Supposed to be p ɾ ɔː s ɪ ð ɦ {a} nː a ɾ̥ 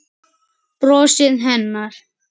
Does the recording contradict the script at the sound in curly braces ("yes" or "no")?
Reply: yes